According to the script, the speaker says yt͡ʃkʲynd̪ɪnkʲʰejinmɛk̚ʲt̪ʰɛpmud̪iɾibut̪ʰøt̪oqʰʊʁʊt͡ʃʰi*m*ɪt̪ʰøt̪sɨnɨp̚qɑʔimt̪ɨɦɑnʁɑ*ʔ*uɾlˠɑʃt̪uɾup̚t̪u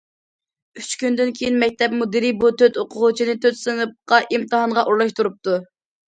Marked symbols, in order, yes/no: no, yes

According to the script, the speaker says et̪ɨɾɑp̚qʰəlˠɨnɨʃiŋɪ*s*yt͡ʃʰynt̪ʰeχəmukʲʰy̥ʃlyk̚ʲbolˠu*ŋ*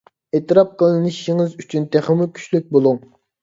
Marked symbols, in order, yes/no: no, yes

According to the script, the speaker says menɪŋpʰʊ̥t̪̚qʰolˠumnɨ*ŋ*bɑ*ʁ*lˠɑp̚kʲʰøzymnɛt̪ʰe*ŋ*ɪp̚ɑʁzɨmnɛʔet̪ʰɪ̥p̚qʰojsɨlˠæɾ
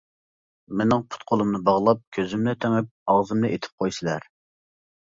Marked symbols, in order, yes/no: no, yes, yes

